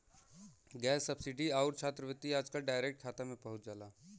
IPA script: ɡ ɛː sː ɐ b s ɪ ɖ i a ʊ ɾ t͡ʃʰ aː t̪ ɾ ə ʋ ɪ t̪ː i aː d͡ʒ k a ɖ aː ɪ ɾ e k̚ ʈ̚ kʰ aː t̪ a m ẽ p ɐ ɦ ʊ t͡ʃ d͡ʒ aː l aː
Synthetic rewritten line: ɡ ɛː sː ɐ b s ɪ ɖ i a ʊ ɾ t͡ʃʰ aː t̪ ɾ ə ʋ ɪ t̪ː i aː d͡ʒ k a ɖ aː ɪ ɾ e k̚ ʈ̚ kʰ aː t̪ a m ẽ p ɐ ɦ ʊ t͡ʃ d͡ʒ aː l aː